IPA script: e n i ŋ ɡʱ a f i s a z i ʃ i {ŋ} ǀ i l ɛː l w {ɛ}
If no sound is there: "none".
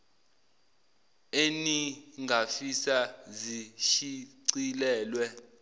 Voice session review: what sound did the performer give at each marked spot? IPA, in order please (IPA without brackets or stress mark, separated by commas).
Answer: none, ɛ